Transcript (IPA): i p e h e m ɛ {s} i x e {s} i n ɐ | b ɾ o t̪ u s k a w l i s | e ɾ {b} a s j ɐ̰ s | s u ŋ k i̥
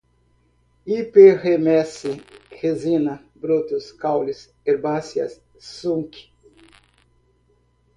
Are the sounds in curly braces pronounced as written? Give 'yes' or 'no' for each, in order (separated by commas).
yes, no, yes